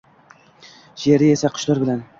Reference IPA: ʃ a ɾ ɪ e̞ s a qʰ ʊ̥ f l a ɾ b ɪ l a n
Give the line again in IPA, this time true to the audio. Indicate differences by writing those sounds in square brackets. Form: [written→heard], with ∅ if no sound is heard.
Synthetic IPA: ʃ [a→e] ɾ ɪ e̞ s a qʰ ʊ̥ [f→ʃ] l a ɾ b ɪ l a n

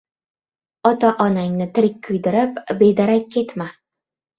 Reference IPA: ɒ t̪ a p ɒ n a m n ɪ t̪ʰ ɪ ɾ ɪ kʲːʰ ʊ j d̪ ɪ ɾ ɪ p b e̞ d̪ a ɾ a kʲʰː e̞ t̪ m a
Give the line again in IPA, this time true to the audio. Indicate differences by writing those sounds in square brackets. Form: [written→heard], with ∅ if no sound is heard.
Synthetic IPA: ɒ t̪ a [p→ʔ] ɒ n a [m→ŋ] n ɪ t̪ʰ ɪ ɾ ɪ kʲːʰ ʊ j d̪ ɪ ɾ ɪ p b e̞ d̪ a ɾ a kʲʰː e̞ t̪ m a

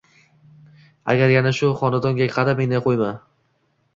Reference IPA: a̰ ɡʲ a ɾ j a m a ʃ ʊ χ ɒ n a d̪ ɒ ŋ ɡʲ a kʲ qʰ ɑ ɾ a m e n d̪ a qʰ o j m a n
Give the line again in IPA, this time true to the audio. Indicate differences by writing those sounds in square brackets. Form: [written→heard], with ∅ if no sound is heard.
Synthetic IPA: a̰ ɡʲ a ɾ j a [m→n] a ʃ ʊ χ ɒ n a d̪ ɒ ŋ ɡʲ a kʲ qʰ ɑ ɾ a m e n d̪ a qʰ o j m a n

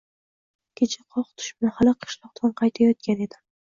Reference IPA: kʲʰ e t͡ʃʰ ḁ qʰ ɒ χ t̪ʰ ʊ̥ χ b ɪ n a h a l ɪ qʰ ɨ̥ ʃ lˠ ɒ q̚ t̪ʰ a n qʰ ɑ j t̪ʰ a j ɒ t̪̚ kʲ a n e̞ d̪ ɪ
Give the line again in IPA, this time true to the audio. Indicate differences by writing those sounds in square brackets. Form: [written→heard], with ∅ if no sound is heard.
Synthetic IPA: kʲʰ e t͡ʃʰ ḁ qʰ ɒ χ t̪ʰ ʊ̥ [χ→ʃ] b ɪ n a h a l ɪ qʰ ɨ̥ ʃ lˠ ɒ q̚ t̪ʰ a n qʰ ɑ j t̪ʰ a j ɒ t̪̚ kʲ a n e̞ d̪ ɪ

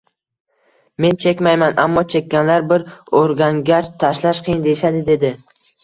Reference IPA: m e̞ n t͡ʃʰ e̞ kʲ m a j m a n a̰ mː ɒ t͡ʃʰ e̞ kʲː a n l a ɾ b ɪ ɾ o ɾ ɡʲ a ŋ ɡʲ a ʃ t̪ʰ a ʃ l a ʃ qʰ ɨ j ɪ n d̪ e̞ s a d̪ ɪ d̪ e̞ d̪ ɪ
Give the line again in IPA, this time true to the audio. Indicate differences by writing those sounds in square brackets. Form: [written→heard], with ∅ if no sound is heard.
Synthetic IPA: m e̞ n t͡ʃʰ e̞ kʲ m a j m a n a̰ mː ɒ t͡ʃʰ e̞ kʲː a n l a ɾ b ɪ ɾ o ɾ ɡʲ a ŋ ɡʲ a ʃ t̪ʰ a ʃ l a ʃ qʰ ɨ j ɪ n d̪ e̞ [s→ʃ] a d̪ ɪ d̪ e̞ d̪ ɪ

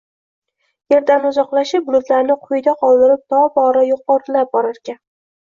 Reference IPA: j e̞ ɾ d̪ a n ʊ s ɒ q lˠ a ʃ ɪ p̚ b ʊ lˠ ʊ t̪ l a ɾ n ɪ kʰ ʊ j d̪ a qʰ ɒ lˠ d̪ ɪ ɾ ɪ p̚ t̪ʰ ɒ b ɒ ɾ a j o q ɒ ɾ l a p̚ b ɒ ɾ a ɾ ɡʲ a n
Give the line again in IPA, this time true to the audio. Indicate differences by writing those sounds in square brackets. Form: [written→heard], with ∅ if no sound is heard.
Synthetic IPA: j e̞ ɾ d̪ a n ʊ [s→z] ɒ q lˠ a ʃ ɪ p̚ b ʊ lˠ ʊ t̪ l a ɾ n ɪ [kʰ→qʰ] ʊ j d̪ a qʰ ɒ lˠ d̪ ɪ ɾ ɪ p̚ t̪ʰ ɒ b ɒ ɾ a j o q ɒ ɾ l a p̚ b ɒ ɾ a ɾ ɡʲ a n

